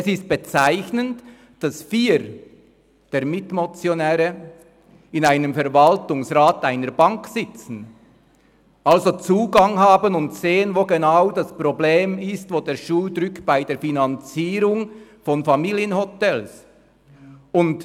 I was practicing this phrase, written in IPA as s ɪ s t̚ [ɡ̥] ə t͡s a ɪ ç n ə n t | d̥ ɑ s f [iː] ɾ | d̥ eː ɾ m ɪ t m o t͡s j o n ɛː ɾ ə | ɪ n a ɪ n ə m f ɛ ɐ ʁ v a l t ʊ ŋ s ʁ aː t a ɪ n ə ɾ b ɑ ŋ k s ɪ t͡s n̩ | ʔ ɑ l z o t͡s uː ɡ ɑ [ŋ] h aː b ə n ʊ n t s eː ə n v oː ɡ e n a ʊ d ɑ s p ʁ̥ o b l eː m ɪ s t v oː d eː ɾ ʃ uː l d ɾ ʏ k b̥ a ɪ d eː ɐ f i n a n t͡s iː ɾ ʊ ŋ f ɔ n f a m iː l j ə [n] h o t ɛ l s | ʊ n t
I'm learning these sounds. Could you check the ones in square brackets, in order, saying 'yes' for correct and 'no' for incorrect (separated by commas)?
no, yes, yes, yes